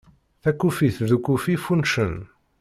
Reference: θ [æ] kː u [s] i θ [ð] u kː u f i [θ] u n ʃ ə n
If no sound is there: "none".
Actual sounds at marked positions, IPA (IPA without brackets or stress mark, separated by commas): æ, f, ð, f